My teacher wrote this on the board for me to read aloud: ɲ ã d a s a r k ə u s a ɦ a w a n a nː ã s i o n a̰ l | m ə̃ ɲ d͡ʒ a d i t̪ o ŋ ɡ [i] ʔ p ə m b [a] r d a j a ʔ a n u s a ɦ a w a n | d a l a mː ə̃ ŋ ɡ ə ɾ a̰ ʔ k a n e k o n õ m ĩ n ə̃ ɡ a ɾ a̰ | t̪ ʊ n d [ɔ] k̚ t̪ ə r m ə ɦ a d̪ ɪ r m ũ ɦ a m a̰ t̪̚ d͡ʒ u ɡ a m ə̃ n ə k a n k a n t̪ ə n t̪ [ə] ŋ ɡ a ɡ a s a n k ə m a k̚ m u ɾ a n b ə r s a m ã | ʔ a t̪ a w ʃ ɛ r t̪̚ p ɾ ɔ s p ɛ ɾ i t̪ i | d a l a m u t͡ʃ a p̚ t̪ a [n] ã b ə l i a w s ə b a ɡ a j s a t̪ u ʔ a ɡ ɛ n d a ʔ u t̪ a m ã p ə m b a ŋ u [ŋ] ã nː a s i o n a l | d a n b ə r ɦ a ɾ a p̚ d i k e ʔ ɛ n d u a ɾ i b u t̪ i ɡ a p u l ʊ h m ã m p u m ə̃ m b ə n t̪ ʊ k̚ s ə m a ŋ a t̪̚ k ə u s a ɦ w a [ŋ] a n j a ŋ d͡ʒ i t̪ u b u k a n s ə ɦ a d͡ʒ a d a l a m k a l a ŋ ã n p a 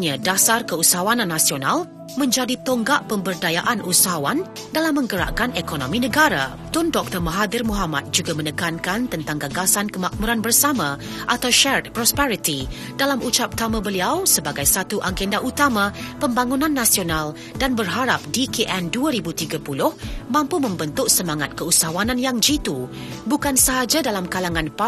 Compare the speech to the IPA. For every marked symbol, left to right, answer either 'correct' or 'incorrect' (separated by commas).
incorrect, incorrect, correct, incorrect, incorrect, incorrect, incorrect